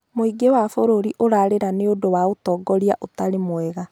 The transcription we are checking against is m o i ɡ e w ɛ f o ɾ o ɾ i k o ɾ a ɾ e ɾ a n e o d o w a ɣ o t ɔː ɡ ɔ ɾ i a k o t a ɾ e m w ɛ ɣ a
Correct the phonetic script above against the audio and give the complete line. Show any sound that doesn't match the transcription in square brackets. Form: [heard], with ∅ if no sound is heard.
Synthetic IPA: m o i ɡ e w [a] f o ɾ o ɾ i [ʔ] o ɾ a ɾ e ɾ a n e o d o w a [∅] o t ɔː ɡ ɔ ɾ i a [ʔ] o t a ɾ e m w ɛ ɣ a